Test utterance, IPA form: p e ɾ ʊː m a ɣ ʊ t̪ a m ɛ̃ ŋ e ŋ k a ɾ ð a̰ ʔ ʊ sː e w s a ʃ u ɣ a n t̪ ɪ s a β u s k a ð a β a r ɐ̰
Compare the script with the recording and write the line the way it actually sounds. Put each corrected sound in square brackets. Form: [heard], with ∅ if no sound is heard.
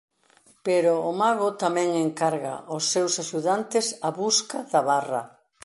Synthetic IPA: p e ɾ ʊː m a ɣ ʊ t̪ a m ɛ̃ ŋ e ŋ k a ɾ [ɣ] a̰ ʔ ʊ sː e w s a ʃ u [ð] a n t̪ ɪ s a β u s k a ð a β a r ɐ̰